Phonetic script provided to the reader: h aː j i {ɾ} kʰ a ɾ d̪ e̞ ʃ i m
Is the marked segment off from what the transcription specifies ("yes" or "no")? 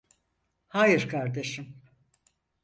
no